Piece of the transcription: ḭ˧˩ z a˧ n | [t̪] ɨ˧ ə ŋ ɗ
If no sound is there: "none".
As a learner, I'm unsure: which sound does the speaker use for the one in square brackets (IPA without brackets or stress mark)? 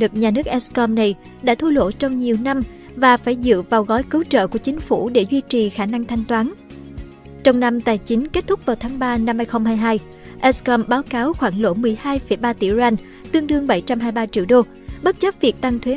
t̪